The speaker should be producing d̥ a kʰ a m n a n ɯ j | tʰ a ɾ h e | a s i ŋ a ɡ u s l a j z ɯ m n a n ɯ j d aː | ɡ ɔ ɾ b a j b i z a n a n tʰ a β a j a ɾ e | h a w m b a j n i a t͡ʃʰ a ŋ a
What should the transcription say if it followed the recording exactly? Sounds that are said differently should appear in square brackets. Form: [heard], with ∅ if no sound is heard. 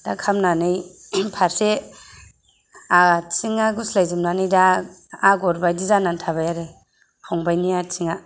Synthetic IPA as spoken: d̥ a kʰ a m n a n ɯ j | [pʰ] a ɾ [s] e | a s i ŋ a ɡ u s l a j z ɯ m n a n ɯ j d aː | ɡ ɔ ɾ b a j [d] i z a n a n tʰ a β a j a ɾ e | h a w [ŋ] b a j n i a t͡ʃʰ [i] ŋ a